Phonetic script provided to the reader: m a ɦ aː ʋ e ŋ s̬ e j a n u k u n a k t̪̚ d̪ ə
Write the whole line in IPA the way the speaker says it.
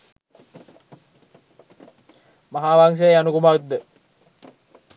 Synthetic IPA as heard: m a ɦ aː ʋ a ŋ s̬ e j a n u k u m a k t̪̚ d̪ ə